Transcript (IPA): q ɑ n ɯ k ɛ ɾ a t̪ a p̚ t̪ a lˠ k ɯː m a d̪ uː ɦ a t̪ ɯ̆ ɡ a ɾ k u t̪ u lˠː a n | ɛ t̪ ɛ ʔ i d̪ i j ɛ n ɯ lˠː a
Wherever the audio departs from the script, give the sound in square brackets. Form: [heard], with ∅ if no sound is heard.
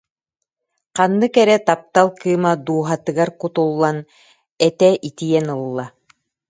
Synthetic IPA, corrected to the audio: q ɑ [nː] ɯ k ɛ ɾ [ɛ] t̪ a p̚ t̪ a lˠ k ɯː m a d̪ uː ɦ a t̪ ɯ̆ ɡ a ɾ k u t̪ u lˠː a n | ɛ t̪ ɛ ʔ i [t̪] i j ɛ n ɯ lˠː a